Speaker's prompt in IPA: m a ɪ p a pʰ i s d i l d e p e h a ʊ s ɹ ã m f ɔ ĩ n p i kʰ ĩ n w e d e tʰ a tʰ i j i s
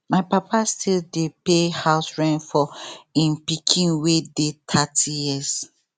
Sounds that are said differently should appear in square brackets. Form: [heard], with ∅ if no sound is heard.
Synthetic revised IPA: m a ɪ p a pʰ [a] s [t] i l d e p e h a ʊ s ɹ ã [n] f ɔ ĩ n p i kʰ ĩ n w e d e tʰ a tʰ i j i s